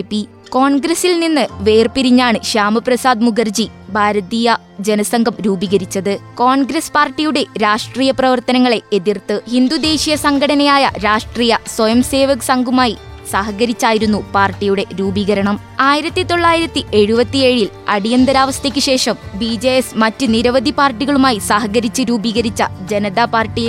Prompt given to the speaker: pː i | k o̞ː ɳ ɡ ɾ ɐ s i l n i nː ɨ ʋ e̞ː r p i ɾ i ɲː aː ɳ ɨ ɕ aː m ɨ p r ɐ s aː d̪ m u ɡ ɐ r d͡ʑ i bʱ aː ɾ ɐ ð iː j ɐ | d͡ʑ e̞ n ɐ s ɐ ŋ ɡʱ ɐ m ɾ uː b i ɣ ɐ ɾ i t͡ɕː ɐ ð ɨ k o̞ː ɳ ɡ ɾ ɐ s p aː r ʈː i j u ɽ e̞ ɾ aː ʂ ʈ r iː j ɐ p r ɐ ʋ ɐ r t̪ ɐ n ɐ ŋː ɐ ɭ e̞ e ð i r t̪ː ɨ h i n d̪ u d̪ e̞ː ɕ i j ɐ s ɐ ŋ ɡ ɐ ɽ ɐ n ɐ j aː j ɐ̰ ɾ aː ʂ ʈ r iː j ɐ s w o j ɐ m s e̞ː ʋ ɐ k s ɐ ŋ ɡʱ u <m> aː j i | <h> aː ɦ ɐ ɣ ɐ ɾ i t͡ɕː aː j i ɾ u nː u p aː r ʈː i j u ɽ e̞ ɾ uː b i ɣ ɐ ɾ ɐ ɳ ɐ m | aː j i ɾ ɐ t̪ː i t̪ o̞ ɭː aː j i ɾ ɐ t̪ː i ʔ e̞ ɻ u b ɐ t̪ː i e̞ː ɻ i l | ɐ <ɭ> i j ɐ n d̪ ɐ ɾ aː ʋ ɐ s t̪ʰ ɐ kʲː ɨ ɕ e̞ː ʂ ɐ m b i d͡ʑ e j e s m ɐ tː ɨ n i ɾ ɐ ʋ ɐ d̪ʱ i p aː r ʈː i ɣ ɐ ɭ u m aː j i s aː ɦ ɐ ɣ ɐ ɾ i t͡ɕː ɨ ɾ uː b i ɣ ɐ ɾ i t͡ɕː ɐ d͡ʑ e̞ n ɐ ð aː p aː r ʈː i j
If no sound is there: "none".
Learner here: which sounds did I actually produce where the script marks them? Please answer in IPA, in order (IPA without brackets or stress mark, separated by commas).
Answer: m, s, ɽ